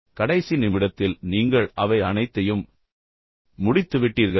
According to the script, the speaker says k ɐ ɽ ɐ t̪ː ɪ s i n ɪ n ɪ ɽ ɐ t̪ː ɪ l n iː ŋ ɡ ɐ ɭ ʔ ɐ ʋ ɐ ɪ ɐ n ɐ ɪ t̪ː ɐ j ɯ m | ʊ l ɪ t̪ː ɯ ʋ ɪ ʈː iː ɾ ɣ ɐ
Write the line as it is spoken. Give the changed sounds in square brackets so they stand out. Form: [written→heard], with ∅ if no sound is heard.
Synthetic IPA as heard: k ɐ ɽ ɐ [t̪ː→∅] ɪ s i n ɪ [n→m] ɪ ɽ ɐ t̪ː ɪ l n iː ŋ ɡ ɐ ɭ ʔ ɐ ʋ ɐ ɪ ɐ n ɐ ɪ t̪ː ɐ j ɯ m | ʊ [l→ɽ] ɪ t̪ː ɯ ʋ ɪ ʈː iː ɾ ɣ ɐ